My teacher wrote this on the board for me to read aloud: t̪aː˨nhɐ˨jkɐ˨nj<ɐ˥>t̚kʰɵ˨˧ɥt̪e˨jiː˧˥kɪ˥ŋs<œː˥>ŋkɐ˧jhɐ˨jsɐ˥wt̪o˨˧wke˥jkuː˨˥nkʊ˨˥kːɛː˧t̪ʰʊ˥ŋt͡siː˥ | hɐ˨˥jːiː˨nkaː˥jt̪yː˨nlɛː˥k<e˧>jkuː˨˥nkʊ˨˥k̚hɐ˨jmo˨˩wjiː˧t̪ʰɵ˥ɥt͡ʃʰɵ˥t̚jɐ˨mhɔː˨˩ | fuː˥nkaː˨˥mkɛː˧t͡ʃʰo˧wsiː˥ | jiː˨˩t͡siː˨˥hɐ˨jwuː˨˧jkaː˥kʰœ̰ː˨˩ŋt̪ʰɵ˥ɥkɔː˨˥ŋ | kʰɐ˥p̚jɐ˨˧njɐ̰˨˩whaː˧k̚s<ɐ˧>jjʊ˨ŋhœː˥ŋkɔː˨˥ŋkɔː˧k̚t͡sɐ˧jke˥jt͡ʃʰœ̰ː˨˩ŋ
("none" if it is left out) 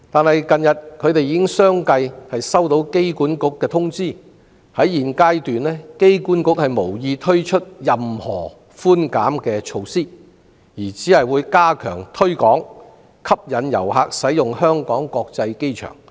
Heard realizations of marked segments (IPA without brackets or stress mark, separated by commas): ɐ˨, œː˥, e˥, ɐ˨˥